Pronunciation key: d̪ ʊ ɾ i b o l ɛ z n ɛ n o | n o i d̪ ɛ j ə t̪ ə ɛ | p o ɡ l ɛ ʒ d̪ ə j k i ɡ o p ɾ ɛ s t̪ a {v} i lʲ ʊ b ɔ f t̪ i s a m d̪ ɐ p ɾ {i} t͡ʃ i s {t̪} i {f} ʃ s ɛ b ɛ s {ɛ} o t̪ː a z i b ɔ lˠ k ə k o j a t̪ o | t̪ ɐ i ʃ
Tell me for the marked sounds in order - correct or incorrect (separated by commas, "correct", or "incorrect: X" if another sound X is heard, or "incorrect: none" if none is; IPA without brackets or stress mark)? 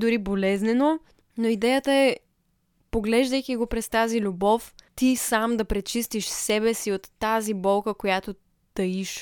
incorrect: z, incorrect: ɛ, correct, incorrect: none, incorrect: i